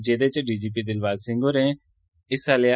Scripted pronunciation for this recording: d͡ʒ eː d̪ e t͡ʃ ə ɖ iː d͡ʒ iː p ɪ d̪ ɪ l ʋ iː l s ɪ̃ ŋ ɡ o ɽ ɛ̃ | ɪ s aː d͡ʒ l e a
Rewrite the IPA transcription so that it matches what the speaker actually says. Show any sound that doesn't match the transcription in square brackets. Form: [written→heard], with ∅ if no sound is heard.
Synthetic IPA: d͡ʒ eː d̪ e t͡ʃ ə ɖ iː d͡ʒ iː p [ɪ→i] d̪ ɪ l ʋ [iː→aː] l s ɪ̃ ŋ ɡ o [ɽ→ɾ] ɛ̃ | ɪ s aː [d͡ʒ→∅] l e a